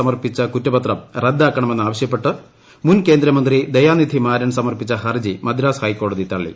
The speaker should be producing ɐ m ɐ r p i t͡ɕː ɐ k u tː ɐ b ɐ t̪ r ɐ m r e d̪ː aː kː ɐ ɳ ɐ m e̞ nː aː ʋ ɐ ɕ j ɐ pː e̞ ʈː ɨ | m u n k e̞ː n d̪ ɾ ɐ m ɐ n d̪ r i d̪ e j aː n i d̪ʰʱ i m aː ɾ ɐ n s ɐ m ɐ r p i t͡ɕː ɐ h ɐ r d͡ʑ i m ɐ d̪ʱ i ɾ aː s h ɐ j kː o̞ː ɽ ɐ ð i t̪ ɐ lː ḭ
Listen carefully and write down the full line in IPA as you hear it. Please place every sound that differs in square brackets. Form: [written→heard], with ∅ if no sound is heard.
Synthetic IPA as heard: ɐ m ɐ r p i t͡ɕː ɐ k u tː ɐ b ɐ t̪ r ɐ m r e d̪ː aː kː ɐ ɳ ɐ m e̞ nː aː ʋ ɐ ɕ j ɐ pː e̞ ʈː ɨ | m u n k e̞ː n d̪ ɾ ɐ m ɐ n d̪ r i d̪ e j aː n i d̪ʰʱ i m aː ɾ ɐ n s ɐ m ɐ r p i t͡ɕː ɐ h ɐ r d͡ʑ i m ɐ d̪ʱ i ɾ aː s h ɐ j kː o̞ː ɽ ɐ ð i t̪ ɐ [lː→ɭː] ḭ